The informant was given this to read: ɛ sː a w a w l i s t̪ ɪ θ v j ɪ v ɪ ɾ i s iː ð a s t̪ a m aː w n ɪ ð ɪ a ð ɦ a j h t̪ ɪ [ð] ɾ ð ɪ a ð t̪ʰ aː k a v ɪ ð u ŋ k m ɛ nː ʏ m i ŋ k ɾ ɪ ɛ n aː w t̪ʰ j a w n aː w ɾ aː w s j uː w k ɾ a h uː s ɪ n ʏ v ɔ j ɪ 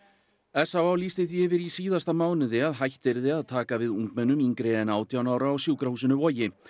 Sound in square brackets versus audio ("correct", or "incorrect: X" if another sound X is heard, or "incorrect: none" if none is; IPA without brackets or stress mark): incorrect: none